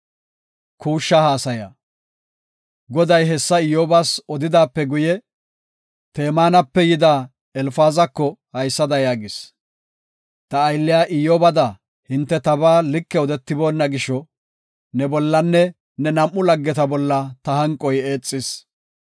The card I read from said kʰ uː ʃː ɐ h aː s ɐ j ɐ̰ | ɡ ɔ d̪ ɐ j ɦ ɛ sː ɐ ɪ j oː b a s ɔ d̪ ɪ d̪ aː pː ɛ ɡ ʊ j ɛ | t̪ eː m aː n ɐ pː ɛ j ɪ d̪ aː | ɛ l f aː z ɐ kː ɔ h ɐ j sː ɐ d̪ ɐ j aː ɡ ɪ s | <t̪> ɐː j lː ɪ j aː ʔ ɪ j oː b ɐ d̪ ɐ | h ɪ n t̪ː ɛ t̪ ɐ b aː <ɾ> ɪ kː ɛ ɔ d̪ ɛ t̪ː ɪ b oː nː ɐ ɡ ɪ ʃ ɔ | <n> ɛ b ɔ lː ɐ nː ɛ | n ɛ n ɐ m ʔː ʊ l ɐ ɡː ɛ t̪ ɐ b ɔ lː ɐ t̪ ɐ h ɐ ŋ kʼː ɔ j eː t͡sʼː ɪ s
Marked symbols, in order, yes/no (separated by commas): yes, no, yes